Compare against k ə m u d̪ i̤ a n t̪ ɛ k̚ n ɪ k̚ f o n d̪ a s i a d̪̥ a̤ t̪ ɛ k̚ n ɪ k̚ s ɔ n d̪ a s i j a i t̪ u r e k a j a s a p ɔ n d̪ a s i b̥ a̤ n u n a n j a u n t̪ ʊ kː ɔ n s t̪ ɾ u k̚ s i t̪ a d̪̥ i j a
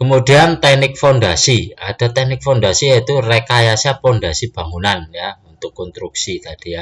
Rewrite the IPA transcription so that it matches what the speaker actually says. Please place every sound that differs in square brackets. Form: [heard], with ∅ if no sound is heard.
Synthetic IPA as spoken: k ə m u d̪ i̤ a n t̪ ɛ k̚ n ɪ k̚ f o n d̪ a s i a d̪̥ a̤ t̪ ɛ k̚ n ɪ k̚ [f] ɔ n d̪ a s i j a i t̪ u r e k a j a s a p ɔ n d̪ a s i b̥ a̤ [ŋ] u n a n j a u n t̪ ʊ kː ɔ n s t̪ ɾ u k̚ s i t̪ a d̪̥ i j a